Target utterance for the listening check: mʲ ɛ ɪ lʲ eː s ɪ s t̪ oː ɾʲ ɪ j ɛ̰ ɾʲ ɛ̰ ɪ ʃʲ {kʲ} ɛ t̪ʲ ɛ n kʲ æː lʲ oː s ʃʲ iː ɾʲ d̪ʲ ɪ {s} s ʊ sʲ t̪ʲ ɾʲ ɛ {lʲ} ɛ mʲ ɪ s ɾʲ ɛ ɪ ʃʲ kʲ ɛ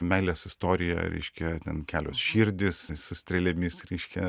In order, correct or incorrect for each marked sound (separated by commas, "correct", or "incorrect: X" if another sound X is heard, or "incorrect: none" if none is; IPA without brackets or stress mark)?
correct, correct, correct